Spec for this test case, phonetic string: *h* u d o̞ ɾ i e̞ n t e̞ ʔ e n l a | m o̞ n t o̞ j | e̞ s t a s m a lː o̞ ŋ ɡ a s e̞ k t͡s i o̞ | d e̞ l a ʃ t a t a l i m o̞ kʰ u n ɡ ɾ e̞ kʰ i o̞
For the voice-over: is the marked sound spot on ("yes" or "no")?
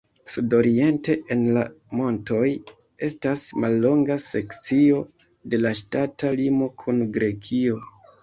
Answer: no